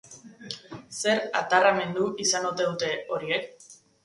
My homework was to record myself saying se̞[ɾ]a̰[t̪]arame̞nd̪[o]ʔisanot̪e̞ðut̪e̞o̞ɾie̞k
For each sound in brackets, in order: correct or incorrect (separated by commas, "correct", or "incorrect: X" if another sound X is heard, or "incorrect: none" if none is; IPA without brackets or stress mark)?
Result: correct, correct, incorrect: u